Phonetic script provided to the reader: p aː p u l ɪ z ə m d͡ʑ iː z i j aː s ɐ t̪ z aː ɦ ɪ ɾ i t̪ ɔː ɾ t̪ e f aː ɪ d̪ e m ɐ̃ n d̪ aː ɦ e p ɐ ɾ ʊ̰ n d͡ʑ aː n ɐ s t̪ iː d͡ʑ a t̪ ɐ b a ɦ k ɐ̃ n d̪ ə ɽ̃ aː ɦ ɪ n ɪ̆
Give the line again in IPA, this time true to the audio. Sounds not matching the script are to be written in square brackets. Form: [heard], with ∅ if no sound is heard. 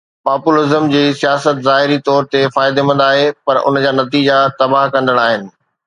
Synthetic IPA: p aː p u l ɪ z ə m d͡ʑ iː [s] i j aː s [ə] t̪ z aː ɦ ɪ ɾ i t̪ ɔː ɾ t̪ e f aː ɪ d̪ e m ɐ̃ n d̪ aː ɦ e p ɐ ɾ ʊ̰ n d͡ʑ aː n ɐ [∅] t̪ iː d͡ʑ a t̪ ɐ b a ɦ k ɐ̃ n d̪ ə ɽ̃ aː ɦ ɪ n ɪ̆